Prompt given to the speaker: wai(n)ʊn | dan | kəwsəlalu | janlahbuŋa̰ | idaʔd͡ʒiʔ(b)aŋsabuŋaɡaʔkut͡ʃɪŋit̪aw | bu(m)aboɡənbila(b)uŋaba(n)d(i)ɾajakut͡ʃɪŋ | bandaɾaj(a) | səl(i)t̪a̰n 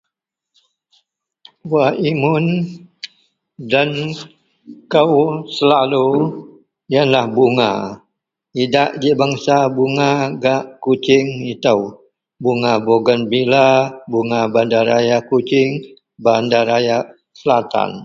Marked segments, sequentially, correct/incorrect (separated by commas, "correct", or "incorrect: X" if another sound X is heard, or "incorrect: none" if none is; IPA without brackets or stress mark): incorrect: m, correct, incorrect: ŋ, correct, correct, incorrect: a, correct, incorrect: a